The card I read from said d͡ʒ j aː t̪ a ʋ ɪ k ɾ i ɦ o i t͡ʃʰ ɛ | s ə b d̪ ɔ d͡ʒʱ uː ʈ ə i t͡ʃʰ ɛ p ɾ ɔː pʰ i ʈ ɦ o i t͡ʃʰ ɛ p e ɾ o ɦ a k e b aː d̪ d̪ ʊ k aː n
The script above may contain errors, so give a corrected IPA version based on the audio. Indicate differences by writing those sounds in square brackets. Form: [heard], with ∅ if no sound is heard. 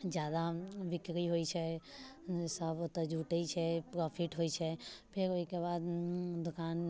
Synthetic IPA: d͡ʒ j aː [d̪] a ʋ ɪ k ɾ i ɦ o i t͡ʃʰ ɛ | s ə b [t̪] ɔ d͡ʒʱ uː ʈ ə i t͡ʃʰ ɛ p ɾ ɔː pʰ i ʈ ɦ o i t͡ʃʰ ɛ [pʰ] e ɾ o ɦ [i] k e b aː d̪ d̪ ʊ k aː n